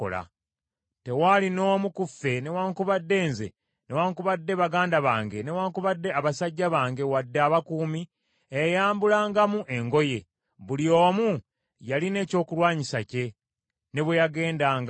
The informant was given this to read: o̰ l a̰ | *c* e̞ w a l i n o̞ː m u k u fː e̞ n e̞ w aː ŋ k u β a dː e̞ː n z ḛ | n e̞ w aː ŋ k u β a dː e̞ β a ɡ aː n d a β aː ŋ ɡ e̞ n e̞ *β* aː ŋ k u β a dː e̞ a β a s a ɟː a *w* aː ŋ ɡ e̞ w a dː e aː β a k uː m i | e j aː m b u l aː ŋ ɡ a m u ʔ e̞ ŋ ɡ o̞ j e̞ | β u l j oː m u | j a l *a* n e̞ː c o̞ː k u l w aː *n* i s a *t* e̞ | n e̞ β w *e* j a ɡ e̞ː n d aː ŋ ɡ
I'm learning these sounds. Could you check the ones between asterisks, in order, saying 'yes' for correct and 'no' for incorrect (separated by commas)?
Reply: no, no, no, no, no, no, yes